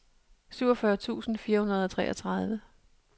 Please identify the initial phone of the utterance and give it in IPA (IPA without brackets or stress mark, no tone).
s